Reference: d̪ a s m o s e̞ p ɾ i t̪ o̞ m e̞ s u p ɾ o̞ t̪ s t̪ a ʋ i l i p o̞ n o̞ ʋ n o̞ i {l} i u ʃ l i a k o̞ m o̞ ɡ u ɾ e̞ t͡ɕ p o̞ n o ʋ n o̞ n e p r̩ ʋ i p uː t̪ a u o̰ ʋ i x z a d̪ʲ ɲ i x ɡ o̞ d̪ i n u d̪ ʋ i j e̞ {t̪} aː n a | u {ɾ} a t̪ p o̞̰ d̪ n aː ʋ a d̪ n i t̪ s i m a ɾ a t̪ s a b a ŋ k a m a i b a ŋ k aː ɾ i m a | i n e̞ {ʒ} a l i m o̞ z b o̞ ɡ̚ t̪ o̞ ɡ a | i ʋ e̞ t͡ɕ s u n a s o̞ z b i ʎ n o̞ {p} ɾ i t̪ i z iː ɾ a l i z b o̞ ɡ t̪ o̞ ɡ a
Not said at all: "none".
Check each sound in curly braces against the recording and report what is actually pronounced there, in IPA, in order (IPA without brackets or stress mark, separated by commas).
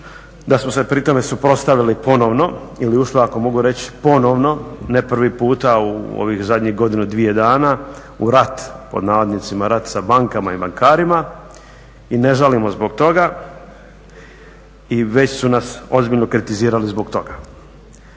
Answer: l, d̪, ɾ, ʒ, k